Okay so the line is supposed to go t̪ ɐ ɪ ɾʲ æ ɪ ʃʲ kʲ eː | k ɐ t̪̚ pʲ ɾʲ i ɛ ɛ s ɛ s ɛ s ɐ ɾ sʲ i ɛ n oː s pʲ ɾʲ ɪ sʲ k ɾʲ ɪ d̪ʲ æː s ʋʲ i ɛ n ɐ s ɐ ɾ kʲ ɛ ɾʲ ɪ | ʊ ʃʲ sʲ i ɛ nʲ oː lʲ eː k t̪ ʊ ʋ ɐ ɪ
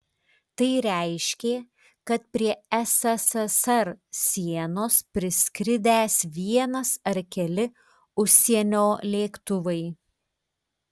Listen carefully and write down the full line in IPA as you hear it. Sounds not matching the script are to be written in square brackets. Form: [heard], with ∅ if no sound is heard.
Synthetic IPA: t̪ ɐ ɪ ɾʲ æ ɪ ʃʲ kʲ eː | k ɐ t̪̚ pʲ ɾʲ i ɛ ɛ s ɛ s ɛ s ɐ ɾ sʲ i ɛ n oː s pʲ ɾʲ ɪ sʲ k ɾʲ ɪ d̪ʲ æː s ʋʲ i ɛ n ɐ s ɐ ɾ kʲ ɛ [lʲ] ɪ | ʊ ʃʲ sʲ i ɛ nʲ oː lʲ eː k t̪ ʊ ʋ ɐ ɪ